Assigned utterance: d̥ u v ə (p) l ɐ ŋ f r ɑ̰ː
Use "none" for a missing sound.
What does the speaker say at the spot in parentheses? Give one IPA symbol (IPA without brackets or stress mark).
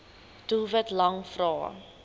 t